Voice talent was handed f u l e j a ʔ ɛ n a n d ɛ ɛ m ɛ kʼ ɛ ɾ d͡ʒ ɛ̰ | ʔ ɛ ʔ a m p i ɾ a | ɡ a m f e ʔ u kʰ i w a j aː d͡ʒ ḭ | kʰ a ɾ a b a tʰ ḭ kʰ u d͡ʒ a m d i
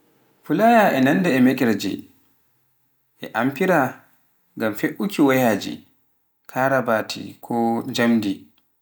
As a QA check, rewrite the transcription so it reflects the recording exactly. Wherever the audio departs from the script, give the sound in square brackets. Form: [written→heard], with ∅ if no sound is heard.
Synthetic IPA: f u l [e→a] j a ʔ ɛ n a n d ɛ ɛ m ɛ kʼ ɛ ɾ d͡ʒ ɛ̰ | ʔ ɛ ʔ a m p i ɾ a | ɡ a m f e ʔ u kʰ i w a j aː d͡ʒ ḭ | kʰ a ɾ a b a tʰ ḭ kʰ [u→ɔ] d͡ʒ a m d i